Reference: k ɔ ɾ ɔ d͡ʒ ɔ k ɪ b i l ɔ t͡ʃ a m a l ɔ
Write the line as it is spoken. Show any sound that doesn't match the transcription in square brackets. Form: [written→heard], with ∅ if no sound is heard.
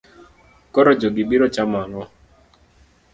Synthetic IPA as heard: k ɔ ɾ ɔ d͡ʒ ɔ [k→ɡ] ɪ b i [l→ɾ] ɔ t͡ʃ a m a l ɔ